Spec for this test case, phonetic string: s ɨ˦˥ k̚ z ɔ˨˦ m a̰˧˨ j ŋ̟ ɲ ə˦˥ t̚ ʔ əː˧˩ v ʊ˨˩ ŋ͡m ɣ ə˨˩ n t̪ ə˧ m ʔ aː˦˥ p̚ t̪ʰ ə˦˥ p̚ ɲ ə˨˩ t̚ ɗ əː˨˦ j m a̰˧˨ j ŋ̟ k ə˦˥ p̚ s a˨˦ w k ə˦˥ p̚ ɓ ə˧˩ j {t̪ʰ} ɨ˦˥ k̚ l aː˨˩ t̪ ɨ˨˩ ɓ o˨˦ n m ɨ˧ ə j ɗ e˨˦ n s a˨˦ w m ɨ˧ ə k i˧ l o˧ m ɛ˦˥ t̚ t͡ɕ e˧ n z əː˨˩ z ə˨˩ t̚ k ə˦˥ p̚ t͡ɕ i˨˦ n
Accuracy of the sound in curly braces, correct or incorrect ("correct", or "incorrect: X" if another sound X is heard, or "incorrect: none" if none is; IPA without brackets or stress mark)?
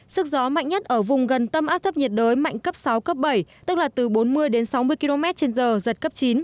incorrect: t̪